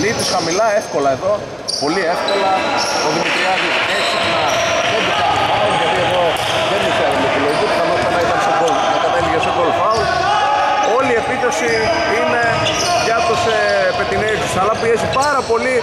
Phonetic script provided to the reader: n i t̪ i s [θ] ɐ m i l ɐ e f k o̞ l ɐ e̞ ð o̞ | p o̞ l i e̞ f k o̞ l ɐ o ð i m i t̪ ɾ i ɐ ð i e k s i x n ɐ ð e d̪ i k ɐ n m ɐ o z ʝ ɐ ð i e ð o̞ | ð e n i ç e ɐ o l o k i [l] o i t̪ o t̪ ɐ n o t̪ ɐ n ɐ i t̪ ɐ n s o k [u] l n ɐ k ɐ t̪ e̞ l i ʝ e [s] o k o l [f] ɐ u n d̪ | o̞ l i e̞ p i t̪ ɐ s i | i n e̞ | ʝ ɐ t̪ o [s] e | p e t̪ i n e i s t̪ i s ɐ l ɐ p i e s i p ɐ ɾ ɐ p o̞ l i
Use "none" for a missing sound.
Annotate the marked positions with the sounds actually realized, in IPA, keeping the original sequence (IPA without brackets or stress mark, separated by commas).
x, l, o, s, f, s